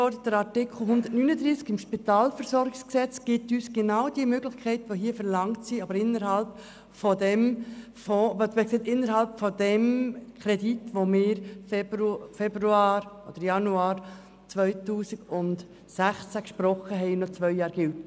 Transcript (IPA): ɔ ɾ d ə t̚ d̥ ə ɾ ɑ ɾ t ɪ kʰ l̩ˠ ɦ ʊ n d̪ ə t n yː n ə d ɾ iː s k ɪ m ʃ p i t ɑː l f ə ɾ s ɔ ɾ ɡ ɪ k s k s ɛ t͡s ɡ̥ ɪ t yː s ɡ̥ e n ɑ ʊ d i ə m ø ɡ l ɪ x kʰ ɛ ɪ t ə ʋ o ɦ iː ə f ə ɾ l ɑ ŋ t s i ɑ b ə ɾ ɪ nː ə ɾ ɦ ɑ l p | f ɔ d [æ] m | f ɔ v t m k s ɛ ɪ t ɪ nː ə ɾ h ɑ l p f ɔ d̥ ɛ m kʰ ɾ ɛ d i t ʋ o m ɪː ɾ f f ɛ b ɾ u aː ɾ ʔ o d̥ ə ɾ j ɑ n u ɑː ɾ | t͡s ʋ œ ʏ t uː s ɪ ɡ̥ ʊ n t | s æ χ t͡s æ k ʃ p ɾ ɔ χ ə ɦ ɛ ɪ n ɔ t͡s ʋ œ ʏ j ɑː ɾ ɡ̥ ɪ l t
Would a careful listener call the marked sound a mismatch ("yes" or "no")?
yes